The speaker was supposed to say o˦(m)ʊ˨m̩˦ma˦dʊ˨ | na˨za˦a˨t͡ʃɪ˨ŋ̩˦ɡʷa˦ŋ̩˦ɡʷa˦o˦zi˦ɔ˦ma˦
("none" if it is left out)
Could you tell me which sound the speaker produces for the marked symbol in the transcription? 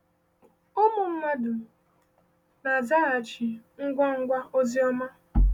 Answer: m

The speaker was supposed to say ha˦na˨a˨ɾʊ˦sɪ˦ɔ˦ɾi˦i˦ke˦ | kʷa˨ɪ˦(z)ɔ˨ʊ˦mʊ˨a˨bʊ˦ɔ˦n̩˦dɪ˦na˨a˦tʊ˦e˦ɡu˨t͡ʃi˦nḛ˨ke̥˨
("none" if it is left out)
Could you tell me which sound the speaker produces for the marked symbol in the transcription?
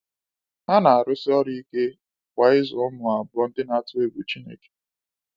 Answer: z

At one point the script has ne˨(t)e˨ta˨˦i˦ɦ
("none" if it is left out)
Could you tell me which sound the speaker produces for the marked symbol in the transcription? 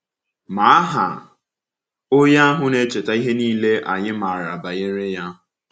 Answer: t͡ʃ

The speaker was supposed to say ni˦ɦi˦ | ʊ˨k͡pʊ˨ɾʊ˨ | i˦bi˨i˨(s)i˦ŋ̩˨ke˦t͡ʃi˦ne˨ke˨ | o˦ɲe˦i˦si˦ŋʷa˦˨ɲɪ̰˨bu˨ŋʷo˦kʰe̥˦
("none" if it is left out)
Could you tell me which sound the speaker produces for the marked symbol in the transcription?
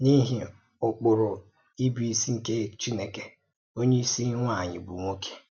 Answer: s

